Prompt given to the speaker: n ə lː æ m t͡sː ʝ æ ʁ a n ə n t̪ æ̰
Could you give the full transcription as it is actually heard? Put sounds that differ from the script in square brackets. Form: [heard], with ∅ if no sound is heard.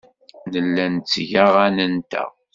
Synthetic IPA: n ə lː æ [n] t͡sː ʝ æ ʁ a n ə n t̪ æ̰